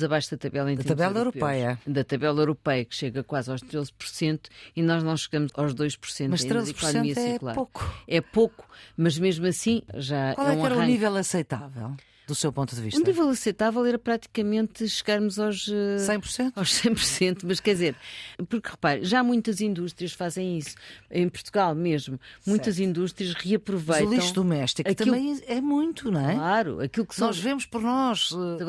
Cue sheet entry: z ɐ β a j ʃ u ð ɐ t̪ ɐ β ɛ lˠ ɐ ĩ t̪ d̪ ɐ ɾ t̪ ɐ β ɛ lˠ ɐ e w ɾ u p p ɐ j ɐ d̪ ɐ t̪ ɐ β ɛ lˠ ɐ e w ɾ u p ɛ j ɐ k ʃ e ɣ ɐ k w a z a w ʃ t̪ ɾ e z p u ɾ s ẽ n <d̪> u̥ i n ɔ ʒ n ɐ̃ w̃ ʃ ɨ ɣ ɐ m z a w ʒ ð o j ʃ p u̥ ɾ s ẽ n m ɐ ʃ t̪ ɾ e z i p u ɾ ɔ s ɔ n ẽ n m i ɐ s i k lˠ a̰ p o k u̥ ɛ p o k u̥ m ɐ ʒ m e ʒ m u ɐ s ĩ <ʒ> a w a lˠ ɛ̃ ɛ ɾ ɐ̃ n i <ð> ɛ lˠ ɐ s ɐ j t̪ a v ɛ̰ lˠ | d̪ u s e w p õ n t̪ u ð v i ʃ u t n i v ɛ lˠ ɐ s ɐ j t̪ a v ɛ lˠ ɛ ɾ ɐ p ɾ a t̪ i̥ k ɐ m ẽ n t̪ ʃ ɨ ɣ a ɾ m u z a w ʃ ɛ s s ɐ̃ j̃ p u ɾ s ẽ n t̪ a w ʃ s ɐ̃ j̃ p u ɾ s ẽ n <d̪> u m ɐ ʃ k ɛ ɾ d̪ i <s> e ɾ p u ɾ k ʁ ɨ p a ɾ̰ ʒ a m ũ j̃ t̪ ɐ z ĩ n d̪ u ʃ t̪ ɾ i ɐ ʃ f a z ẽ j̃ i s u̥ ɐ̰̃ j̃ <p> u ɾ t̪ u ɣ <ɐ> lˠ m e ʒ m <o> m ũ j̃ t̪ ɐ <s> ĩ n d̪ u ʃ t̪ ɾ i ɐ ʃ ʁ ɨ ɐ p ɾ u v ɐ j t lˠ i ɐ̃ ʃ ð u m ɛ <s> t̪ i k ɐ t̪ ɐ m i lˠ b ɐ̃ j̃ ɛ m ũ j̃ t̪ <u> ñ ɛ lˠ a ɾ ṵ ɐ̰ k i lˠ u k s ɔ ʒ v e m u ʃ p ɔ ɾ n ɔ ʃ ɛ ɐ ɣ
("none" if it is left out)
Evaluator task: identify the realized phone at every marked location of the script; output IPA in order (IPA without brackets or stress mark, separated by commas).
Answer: t̪, ʒ, v, t̪, z, p, a, u, z, ʃ, u